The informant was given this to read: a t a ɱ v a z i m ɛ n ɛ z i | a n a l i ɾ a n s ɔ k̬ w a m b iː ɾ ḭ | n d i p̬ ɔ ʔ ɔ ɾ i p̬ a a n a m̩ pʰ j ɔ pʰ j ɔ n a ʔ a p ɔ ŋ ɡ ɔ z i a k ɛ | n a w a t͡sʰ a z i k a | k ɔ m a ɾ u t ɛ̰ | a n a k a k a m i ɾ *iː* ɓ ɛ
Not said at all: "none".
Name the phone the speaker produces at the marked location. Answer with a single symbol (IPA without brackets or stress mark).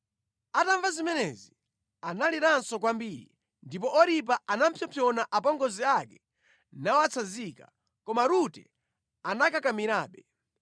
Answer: aː